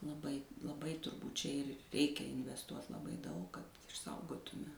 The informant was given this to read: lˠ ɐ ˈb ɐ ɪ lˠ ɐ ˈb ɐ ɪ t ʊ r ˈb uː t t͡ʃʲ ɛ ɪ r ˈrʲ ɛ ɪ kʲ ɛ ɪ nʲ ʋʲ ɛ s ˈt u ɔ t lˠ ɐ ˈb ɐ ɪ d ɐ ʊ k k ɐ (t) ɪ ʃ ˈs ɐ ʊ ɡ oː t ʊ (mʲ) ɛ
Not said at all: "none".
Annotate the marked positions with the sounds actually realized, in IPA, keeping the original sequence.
t, mʲ

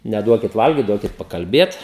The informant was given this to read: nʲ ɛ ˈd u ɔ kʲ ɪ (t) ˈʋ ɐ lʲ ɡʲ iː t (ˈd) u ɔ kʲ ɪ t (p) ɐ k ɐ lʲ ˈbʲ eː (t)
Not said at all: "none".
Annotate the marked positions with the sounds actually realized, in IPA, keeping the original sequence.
t, d, p, t

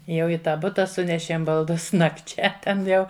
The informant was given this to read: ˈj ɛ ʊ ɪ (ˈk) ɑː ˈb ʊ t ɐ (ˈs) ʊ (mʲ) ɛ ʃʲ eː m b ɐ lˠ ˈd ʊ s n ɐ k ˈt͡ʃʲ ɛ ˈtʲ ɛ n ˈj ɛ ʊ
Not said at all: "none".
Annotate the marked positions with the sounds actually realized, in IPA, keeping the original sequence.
t, s, nʲ

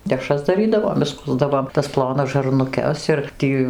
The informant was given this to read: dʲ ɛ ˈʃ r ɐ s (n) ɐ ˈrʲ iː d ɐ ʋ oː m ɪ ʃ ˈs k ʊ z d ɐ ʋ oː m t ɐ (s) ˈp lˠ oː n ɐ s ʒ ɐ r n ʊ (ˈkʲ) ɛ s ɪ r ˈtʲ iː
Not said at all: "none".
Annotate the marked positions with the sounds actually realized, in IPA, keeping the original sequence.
d, s, kʲ

